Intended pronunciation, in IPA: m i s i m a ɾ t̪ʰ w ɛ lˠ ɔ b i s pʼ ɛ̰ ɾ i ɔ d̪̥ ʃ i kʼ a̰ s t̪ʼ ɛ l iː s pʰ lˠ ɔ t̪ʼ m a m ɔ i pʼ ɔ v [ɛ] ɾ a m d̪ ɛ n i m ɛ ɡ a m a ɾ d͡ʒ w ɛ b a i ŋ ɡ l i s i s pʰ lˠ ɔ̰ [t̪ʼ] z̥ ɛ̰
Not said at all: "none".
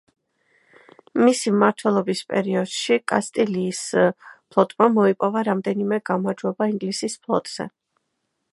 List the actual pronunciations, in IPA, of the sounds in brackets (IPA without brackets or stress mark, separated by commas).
a, t̪ʼ